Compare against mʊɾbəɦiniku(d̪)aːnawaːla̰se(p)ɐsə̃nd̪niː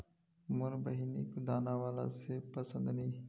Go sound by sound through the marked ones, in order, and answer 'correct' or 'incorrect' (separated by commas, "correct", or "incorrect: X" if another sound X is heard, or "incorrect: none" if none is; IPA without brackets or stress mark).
correct, correct